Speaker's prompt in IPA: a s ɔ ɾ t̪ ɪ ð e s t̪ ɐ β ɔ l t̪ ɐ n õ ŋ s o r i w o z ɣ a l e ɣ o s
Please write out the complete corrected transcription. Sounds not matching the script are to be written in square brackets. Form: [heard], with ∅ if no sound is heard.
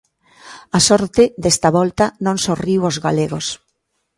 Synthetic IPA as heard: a s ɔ ɾ t̪ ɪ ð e s t̪ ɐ β ɔ l t̪ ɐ n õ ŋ s o r i w o z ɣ a l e ɣ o s